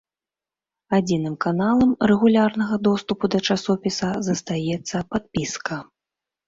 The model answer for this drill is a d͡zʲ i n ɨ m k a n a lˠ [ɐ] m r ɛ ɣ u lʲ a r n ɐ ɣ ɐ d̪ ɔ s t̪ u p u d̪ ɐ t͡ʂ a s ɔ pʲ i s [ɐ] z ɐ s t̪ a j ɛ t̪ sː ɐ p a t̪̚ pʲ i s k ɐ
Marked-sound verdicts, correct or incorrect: correct, correct

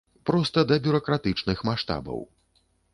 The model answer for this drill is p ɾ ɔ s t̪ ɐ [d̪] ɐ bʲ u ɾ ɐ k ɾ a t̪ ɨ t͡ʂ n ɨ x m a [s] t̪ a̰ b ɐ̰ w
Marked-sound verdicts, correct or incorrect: correct, incorrect

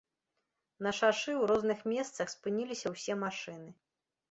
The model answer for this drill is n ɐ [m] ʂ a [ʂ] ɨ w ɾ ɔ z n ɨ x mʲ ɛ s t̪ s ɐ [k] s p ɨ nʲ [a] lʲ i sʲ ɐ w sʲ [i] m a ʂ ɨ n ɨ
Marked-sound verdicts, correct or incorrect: incorrect, correct, incorrect, incorrect, incorrect

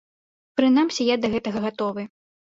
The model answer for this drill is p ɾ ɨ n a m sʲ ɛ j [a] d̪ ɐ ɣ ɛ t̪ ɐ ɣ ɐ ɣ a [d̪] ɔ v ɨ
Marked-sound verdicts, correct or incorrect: correct, incorrect

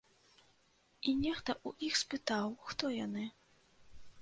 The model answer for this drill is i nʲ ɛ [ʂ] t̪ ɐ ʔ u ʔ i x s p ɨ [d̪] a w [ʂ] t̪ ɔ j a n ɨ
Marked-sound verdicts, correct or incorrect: incorrect, incorrect, incorrect

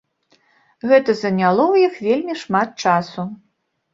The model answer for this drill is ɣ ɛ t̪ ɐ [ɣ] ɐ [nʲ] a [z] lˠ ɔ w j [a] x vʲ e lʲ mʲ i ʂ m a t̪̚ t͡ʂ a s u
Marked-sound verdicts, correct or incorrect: incorrect, correct, incorrect, incorrect

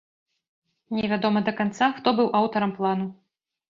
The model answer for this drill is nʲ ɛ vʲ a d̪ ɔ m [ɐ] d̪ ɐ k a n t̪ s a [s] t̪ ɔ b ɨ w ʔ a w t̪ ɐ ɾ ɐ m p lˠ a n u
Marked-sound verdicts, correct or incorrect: correct, incorrect

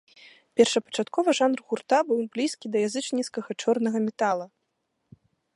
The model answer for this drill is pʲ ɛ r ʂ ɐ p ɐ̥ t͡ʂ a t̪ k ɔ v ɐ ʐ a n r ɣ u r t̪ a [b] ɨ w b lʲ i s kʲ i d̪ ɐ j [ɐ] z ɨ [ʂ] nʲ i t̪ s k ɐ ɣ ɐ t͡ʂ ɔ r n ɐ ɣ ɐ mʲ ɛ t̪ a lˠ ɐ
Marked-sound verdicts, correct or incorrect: correct, incorrect, incorrect

